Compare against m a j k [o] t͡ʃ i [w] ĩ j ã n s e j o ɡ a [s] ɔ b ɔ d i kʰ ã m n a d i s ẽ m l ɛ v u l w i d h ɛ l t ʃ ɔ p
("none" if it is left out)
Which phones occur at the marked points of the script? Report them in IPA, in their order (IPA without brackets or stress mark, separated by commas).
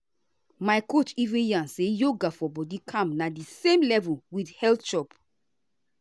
o, v, f